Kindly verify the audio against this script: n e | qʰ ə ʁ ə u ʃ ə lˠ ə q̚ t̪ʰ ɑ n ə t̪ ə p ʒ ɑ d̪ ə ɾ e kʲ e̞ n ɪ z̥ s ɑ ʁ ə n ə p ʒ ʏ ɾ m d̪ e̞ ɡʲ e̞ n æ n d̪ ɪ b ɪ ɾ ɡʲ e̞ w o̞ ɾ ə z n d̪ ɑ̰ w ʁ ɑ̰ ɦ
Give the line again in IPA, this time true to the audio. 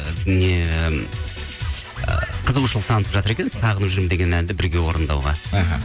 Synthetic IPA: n e | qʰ ə z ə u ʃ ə lˠ ə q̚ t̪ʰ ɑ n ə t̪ ə p ʒ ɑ t̪ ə ɾ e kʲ e̞ n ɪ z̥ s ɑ ʁ ə n ə p ʒ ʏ ɾ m d̪ e̞ ɡʲ e̞ n æ n d̪ ɪ b ɪ ɾ ɡʲ e̞ w o̞ ɾ ə n d̪ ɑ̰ w ʁ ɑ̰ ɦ